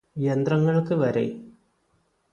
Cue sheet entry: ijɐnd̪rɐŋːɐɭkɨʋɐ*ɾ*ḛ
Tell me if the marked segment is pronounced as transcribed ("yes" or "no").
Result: yes